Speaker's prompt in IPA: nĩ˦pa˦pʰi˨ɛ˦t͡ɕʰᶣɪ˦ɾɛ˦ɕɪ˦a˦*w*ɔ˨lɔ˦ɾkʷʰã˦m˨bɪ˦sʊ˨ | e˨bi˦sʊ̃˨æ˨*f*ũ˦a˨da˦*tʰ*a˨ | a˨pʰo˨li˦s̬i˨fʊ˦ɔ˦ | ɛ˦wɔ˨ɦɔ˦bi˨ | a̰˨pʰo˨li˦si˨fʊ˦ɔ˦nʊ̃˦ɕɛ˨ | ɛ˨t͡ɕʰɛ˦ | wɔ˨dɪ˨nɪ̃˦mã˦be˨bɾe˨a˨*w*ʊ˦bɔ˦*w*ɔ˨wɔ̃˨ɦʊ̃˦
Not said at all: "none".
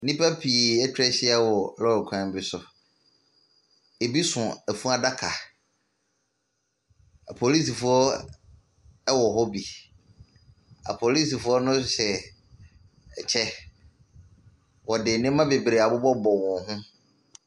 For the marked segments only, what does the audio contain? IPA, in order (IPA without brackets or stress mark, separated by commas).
w, f, kʰ, b, b